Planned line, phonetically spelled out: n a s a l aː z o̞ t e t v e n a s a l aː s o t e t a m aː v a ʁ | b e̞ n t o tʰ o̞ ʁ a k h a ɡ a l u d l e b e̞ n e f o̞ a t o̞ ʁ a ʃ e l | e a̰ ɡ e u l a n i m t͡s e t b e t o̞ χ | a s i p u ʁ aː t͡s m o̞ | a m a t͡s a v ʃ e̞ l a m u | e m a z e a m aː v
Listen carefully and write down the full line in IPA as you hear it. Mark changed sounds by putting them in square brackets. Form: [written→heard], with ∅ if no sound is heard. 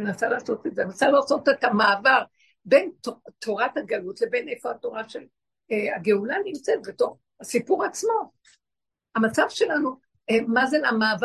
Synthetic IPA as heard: n a s a l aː [z→s] o̞ t e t [v→z] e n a s a l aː s o t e t a m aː v a ʁ | b e̞ n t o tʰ o̞ ʁ a [k→t] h a ɡ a l u [d→t] l e b e̞ n e f o̞ a t o̞ ʁ a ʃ e l | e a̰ ɡ e u l a n i m t͡s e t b e t o̞ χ | a s i p u ʁ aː t͡s m o̞ | a m a t͡s a v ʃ e̞ l a [m→n] u | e m a z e a m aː v